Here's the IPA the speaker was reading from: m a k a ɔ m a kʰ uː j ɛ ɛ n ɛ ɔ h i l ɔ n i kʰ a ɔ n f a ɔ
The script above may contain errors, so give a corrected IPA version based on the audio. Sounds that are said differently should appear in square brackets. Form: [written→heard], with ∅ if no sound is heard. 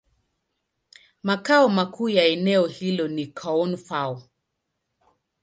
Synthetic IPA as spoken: m a k a ɔ m a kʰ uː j [ɛ→a] ɛ n ɛ ɔ h i l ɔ n i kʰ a ɔ n f a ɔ